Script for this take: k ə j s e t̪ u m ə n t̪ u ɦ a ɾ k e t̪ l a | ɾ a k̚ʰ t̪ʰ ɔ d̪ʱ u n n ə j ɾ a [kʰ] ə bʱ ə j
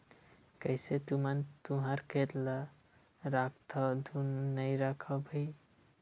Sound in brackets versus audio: correct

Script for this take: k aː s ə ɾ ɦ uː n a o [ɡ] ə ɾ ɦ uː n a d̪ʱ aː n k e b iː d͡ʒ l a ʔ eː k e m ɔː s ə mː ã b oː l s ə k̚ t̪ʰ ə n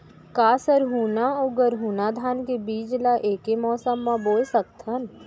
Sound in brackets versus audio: correct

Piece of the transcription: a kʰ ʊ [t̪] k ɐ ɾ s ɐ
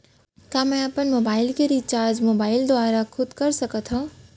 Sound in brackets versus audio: incorrect: d̪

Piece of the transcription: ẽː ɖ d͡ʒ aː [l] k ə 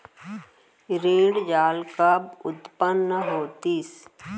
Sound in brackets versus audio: correct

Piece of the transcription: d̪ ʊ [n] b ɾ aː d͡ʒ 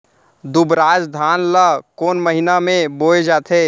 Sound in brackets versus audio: incorrect: none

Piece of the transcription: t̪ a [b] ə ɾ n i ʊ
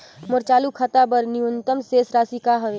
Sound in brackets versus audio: correct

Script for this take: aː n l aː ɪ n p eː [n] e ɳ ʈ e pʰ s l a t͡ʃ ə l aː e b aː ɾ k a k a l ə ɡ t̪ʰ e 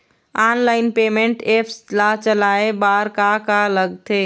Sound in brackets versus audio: incorrect: m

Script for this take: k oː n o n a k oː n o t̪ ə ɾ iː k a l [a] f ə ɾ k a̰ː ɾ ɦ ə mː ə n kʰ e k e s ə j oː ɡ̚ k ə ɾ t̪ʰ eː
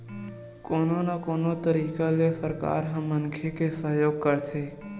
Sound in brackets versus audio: incorrect: e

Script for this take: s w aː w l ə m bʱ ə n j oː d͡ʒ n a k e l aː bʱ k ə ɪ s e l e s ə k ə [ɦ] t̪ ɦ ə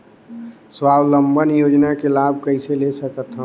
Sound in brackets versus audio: incorrect: none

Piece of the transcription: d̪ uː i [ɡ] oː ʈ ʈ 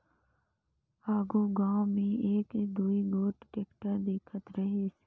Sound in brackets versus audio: correct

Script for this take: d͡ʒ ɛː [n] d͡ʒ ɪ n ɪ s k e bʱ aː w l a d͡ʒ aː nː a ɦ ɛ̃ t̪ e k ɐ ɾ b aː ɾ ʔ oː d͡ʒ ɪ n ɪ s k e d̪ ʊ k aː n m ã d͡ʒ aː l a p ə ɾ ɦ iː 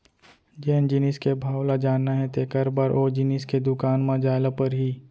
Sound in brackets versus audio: correct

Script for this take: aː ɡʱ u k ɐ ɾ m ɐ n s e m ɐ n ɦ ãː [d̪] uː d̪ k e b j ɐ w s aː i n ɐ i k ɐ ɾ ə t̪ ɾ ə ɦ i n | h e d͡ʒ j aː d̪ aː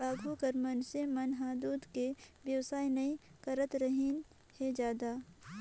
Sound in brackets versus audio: correct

